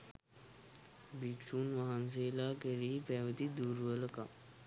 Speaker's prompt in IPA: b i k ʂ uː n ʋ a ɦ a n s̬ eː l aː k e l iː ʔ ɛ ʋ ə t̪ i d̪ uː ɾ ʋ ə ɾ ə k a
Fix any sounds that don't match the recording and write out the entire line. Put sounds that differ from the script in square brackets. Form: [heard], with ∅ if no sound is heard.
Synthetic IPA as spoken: b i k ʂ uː n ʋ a ɦ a n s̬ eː l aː k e [ɾ] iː [p] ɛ ʋ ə t̪ i d̪ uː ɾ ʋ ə [l] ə k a